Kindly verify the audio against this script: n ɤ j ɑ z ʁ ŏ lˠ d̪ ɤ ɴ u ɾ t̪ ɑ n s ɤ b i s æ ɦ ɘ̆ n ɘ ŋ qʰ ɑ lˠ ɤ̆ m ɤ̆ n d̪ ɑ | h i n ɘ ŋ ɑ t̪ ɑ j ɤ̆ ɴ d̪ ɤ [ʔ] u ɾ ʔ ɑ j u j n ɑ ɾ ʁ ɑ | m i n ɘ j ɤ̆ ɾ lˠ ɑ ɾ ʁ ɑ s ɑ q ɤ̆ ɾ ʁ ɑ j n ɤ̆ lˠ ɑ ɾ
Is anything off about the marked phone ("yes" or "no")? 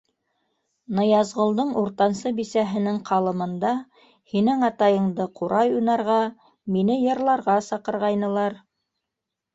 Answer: yes